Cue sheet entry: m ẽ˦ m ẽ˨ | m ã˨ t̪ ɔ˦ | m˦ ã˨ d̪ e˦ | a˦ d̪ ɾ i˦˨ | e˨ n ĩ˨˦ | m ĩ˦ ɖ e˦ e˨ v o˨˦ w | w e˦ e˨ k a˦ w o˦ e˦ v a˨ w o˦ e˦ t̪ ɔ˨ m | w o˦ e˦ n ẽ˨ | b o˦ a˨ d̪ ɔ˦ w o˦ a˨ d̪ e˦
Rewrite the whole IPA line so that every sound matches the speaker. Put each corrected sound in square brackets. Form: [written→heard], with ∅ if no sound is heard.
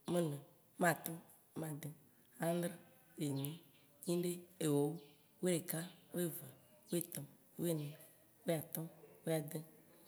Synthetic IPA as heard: m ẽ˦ [m→n] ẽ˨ | m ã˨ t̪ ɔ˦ | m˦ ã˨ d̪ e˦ | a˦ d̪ ɾ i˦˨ | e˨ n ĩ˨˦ | [m→ɲ] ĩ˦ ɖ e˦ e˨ [v→w] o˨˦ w | w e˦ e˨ k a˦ w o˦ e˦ v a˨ w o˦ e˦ t̪ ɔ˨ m | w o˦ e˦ n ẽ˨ | [b→w] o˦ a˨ [d̪→t̪] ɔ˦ w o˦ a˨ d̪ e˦